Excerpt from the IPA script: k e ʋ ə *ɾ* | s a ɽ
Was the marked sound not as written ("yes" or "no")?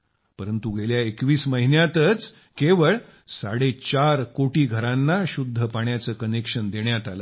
yes